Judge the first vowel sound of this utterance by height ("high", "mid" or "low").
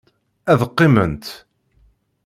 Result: low